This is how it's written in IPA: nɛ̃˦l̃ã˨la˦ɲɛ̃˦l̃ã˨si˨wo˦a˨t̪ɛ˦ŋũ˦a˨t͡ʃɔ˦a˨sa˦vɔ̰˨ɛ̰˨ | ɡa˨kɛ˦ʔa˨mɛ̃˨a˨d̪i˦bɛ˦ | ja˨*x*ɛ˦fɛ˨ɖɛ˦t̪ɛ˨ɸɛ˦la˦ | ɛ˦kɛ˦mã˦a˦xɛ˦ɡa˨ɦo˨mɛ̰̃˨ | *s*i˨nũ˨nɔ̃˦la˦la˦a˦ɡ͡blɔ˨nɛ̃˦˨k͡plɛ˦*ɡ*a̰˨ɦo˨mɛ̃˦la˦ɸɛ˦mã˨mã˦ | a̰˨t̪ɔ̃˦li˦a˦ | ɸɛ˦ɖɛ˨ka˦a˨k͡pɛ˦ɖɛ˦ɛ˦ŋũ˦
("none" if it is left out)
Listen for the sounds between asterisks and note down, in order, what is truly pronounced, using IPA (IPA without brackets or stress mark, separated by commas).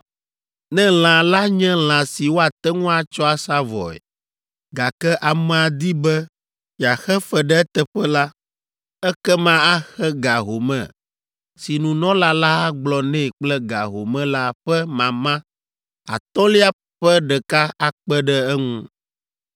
x, s, ɡ